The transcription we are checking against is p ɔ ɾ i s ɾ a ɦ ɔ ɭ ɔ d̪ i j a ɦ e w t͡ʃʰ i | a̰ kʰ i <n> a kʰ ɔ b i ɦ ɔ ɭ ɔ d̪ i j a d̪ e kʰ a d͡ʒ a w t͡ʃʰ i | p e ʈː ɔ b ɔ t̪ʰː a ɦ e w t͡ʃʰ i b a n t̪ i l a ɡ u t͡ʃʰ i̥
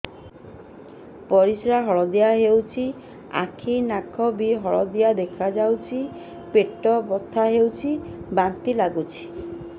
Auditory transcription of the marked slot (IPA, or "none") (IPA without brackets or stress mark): n